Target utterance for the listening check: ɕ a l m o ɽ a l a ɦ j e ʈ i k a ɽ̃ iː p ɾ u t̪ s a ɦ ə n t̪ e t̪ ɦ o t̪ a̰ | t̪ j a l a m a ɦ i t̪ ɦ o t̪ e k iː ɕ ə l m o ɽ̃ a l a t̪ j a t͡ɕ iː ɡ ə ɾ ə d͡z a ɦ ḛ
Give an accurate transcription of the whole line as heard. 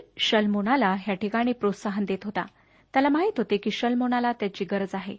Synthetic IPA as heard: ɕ ə l m o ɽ a l a ɦ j a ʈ i k a ɽ̃ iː p ɾ o t̪ s a ɦ ə n d̪ e t̪ ɦ o t̪ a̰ | t̪ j a l a m a ɦ i t̪ ɦ o t̪ e k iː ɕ ə l m o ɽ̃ a l a t̪ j a t͡ɕ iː ɡ ə ɾ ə d͡z a ɦ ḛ